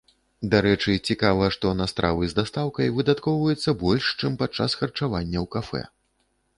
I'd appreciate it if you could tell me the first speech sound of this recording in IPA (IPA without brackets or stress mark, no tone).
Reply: d̪